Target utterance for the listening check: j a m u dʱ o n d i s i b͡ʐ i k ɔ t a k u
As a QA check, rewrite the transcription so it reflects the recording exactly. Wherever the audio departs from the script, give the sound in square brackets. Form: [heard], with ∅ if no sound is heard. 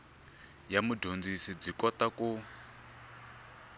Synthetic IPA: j a m u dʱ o n [d͡z] i s i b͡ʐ i k ɔ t a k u